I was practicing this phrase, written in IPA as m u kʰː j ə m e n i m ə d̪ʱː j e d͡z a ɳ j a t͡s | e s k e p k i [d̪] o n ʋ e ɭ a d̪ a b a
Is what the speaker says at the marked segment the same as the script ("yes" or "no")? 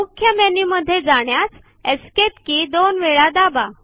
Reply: yes